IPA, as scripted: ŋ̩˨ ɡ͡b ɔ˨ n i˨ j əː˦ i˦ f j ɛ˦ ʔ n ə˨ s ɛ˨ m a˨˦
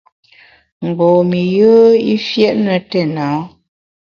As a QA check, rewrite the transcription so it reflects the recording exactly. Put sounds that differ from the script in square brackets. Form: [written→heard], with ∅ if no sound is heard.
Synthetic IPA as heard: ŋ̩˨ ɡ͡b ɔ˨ [n→m] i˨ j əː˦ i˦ f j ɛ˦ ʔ n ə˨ [s→t] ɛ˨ [m→n] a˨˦